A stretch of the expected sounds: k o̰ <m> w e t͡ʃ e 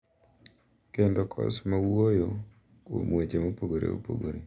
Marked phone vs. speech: correct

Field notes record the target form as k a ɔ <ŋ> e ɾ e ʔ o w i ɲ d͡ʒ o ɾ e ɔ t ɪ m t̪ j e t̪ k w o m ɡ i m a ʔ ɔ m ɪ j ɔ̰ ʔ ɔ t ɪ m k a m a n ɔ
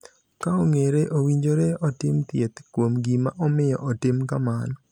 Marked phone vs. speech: correct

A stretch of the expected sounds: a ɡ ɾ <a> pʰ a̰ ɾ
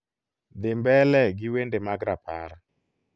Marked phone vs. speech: correct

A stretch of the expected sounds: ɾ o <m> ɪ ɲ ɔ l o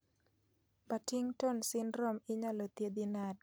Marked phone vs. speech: correct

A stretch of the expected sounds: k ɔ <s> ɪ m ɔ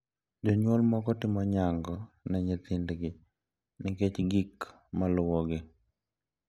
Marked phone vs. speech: incorrect: t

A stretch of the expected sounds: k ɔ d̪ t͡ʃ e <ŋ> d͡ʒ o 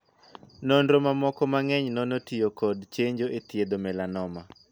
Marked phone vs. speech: incorrect: ɲ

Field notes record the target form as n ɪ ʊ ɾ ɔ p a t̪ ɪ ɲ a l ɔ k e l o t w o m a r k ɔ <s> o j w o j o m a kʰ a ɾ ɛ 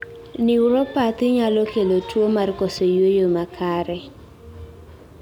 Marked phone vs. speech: correct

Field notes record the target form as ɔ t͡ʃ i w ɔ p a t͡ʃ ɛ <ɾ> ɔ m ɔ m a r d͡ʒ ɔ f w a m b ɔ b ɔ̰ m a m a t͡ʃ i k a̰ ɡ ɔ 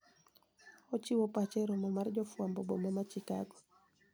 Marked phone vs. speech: correct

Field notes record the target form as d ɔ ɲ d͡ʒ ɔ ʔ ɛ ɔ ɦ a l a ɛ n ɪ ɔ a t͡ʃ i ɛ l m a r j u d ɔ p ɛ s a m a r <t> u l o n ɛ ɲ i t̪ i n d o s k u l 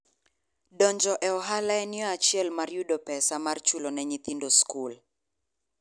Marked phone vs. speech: incorrect: t͡ʃ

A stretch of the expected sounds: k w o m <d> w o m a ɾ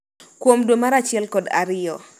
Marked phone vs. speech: correct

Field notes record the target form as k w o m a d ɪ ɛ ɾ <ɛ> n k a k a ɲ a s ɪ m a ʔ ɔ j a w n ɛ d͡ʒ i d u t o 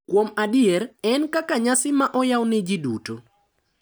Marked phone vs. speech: correct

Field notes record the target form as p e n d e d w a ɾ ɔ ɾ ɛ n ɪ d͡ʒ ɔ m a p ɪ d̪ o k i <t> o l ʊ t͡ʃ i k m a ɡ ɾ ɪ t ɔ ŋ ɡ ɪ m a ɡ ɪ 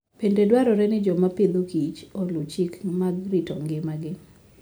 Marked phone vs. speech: incorrect: t͡ʃ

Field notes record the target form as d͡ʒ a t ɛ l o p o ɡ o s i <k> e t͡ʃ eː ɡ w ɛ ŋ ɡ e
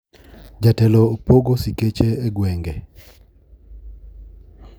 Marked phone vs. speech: correct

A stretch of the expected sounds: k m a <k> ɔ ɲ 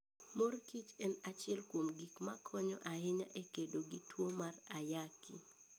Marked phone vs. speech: incorrect: kʰ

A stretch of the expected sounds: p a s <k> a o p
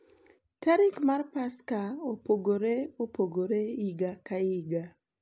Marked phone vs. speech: correct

